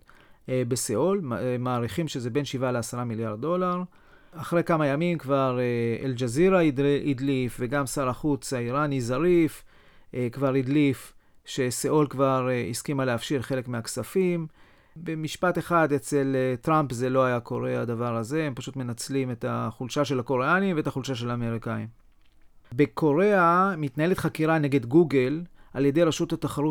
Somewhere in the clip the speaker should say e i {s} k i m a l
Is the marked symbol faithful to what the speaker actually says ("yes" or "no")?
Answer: yes